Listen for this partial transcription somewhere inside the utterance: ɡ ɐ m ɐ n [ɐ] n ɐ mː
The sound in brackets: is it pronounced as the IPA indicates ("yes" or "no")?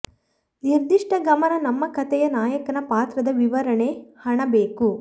yes